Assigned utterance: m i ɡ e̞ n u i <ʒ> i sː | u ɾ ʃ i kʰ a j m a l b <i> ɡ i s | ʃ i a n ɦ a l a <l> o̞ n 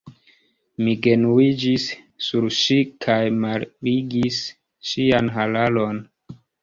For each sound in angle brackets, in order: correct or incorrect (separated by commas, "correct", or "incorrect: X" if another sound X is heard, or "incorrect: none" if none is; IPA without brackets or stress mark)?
incorrect: d͡ʒ, correct, correct